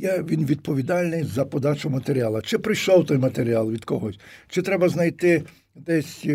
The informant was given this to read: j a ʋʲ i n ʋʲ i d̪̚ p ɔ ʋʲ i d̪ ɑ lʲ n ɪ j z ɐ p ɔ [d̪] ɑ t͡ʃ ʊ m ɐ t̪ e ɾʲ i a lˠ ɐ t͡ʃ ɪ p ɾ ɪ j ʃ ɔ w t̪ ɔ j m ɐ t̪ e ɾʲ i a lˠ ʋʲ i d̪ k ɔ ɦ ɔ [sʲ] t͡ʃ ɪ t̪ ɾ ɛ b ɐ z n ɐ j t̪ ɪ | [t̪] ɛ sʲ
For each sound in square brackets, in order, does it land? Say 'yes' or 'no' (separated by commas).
yes, yes, no